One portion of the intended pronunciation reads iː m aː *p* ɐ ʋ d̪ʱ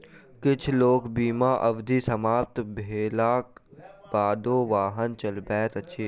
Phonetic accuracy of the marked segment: incorrect: ʔ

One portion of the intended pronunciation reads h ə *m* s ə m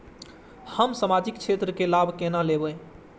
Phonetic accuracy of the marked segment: correct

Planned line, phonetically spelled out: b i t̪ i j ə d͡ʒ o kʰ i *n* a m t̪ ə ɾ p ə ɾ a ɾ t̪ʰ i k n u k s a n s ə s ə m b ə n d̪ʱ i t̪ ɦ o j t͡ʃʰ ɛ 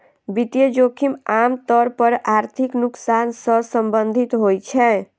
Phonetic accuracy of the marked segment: incorrect: m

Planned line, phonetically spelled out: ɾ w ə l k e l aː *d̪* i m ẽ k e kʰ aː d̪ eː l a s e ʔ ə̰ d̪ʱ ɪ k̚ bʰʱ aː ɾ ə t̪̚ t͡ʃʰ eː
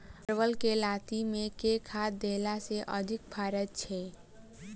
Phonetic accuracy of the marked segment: incorrect: t̪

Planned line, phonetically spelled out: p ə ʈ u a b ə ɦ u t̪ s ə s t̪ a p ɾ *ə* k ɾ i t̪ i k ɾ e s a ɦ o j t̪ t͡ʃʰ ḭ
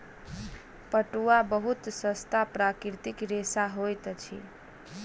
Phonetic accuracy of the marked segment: incorrect: a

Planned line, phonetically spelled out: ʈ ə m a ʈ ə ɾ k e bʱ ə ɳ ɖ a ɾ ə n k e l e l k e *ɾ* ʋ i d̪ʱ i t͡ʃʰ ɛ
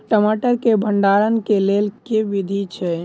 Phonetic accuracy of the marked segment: incorrect: none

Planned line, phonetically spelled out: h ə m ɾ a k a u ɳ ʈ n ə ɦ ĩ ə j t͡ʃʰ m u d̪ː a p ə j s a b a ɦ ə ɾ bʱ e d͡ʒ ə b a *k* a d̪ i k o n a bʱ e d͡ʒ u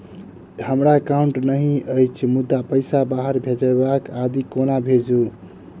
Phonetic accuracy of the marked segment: correct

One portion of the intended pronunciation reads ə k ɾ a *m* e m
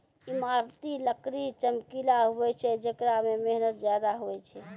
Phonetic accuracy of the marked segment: correct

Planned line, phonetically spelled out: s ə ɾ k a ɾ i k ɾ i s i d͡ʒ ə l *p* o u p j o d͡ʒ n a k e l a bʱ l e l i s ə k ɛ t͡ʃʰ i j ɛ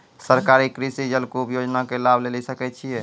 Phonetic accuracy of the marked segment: incorrect: k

